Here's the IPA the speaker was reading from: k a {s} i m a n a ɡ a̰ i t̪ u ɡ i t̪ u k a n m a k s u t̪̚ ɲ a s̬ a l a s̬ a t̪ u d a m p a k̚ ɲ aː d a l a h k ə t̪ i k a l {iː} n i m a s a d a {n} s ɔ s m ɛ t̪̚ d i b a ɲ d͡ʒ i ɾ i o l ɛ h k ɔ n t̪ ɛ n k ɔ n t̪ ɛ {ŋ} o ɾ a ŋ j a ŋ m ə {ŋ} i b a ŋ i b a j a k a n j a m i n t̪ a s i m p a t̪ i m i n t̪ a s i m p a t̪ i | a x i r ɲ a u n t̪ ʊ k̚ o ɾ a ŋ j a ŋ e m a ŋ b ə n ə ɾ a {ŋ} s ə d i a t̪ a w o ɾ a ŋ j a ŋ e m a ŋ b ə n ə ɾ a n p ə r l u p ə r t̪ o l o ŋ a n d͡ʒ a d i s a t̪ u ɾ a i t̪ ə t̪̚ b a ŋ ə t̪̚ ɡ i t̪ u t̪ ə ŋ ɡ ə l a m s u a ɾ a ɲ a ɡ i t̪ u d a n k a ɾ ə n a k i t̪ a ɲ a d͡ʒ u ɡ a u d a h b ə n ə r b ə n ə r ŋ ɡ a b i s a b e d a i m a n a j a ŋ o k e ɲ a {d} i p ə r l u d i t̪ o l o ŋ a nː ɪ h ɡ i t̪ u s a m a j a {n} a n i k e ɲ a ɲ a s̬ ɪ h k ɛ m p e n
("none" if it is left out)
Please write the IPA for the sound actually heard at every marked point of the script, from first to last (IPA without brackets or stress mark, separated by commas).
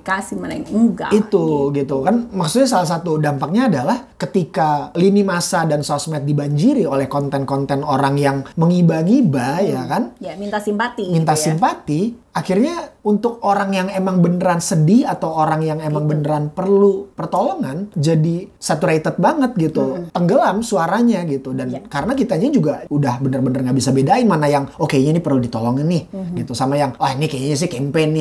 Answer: s, i, n, n, ŋ, n, n, ŋ